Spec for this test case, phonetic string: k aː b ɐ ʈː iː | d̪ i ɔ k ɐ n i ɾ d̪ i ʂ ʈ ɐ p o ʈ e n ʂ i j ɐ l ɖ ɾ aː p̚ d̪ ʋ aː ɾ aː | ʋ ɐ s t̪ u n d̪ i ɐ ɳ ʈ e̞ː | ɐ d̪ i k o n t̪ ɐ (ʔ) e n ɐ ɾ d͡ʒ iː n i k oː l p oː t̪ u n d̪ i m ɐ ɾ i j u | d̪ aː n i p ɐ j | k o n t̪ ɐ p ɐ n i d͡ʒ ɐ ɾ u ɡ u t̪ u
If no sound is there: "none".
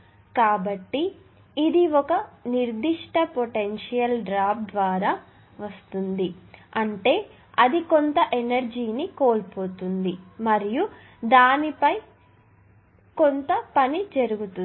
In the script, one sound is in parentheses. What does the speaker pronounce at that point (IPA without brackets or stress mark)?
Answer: ʔ